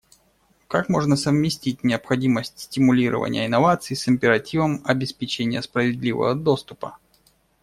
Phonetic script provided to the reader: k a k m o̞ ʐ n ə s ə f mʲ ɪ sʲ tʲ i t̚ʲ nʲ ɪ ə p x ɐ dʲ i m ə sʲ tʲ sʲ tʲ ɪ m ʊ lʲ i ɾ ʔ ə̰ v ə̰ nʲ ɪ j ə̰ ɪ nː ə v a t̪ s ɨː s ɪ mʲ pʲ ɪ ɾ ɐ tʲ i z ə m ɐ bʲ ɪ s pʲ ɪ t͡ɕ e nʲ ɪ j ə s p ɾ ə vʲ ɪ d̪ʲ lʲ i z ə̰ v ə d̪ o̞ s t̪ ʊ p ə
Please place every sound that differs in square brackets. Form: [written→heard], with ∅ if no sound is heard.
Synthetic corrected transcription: k a k m o̞ ʐ n ə s ə [f→v] mʲ ɪ sʲ tʲ i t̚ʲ nʲ ɪ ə p x ɐ dʲ i m ə sʲ tʲ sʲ tʲ ɪ m ʊ lʲ i ɾ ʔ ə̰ v ə̰ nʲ ɪ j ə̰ ɪ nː [ə→ɐ] v a t̪ s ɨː s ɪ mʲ pʲ ɪ ɾ ɐ tʲ i [z→v] ə m ɐ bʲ ɪ s pʲ ɪ t͡ɕ e nʲ ɪ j ə s p ɾ ə vʲ ɪ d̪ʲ lʲ i [z→v] ə̰ v ə d̪ o̞ s t̪ ʊ p ə